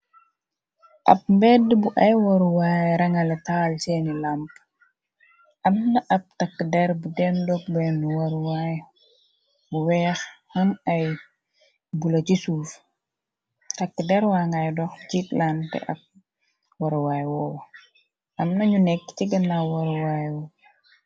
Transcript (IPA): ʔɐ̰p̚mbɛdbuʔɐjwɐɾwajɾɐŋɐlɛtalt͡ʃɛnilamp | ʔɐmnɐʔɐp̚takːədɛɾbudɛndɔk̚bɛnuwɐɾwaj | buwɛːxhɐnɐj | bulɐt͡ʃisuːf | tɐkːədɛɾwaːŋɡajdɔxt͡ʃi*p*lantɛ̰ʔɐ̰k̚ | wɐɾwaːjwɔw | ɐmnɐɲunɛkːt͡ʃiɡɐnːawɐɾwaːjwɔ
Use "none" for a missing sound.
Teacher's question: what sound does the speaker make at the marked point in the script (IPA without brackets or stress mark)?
t